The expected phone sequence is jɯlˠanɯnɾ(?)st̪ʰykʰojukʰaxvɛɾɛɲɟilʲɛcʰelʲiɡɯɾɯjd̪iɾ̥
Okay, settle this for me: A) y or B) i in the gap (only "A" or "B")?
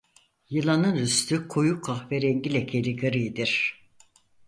A